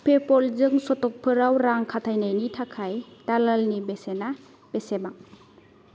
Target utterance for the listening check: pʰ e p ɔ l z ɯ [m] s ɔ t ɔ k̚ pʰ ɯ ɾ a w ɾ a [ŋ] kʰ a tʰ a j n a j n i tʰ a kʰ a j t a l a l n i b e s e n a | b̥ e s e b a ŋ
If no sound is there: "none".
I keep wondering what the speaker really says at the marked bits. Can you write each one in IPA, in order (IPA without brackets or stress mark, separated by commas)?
ŋ, ŋ